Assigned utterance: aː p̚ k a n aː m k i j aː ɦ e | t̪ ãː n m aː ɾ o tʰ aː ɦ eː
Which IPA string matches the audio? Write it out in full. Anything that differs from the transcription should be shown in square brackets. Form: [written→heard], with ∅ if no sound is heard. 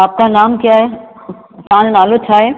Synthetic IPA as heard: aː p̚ k a n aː m k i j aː ɦ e | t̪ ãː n [m→n] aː [ɾ→l] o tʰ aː ɦ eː